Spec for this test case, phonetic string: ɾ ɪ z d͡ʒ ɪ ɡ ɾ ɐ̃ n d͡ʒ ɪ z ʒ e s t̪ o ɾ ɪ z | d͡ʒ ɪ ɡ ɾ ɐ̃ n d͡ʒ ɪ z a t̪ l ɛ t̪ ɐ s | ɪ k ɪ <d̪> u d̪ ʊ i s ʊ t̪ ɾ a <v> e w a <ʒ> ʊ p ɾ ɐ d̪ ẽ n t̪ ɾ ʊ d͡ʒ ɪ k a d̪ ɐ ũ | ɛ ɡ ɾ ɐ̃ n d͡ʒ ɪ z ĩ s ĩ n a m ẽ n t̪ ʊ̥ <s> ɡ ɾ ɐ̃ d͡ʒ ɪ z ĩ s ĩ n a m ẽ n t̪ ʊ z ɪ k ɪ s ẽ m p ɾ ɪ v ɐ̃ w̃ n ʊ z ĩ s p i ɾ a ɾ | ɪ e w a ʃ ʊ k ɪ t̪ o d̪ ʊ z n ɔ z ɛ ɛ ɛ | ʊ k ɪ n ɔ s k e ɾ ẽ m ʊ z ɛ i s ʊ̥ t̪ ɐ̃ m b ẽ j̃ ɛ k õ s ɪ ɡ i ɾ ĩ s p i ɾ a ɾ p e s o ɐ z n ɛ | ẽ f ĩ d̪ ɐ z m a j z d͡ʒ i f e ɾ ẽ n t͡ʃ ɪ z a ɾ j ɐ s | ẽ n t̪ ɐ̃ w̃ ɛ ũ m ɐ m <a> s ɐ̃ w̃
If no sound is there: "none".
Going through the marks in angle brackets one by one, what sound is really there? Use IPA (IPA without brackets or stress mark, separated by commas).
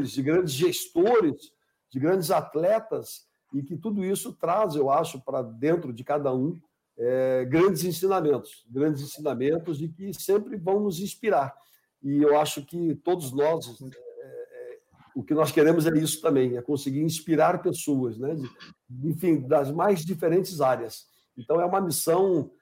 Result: t̪, z, ʃ, s, i